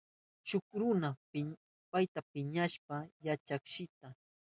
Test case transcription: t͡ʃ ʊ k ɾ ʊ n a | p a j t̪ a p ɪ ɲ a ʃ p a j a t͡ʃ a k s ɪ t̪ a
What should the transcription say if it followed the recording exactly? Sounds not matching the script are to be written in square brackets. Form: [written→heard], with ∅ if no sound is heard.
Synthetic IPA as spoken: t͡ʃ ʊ k ɾ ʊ n a | p a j t̪ a p ɪ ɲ a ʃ p a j a t͡ʃ a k [s→ʃ] ɪ t̪ a